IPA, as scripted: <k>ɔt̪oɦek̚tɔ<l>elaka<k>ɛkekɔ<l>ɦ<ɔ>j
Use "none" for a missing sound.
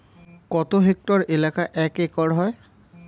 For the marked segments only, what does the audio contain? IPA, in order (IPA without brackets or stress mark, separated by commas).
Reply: k, ɹ, ʔ, ɹ, ɔ